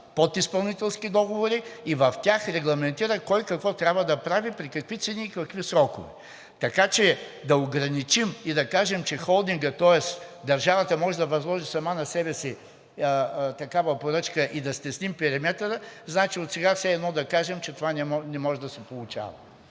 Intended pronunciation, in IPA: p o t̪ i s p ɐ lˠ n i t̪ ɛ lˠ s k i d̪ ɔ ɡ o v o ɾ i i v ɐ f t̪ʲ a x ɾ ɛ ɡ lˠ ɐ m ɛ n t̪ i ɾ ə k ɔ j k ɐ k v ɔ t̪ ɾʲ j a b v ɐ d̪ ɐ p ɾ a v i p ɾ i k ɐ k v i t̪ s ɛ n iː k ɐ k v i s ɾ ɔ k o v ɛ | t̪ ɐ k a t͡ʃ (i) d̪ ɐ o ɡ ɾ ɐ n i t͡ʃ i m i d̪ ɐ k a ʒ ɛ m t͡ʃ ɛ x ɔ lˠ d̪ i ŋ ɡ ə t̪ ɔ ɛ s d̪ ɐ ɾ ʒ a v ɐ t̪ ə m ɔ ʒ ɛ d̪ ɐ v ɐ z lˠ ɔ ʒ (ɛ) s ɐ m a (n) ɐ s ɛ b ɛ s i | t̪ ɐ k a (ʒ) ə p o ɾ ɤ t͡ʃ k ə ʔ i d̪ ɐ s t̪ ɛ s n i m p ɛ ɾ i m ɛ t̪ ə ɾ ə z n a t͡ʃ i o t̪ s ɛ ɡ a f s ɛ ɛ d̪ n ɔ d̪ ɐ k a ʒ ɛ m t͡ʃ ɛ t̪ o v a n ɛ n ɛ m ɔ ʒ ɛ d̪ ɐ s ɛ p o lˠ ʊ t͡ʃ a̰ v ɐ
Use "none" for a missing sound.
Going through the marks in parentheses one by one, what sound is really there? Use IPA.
ɛ, i, n, v

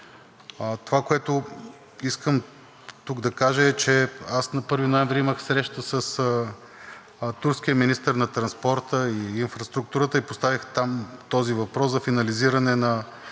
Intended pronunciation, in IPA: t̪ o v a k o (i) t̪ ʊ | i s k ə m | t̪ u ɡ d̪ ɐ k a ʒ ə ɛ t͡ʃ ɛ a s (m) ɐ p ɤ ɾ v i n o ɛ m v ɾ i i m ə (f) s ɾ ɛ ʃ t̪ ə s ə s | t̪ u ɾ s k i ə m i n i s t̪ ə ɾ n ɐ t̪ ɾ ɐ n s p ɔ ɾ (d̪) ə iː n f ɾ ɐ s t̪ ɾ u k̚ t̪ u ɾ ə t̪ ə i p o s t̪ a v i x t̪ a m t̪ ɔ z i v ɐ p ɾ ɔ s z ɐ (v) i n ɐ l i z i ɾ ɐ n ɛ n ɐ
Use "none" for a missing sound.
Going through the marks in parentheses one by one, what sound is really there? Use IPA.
ɛ, n, x, t̪, f

